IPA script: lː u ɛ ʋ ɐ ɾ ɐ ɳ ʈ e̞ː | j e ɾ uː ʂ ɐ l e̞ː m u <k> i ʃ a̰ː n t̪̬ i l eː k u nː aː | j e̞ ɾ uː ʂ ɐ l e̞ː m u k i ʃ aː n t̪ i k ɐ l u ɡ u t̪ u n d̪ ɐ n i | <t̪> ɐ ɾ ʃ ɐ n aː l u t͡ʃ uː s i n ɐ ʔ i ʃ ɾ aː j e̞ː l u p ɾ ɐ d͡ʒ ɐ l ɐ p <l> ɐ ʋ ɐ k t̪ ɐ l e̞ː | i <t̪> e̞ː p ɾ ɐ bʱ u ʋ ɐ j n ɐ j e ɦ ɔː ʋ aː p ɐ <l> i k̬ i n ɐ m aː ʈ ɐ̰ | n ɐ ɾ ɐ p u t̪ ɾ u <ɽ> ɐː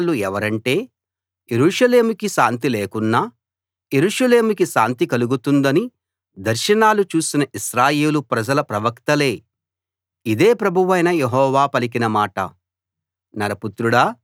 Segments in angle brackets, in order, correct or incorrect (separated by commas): correct, incorrect, incorrect, incorrect, correct, correct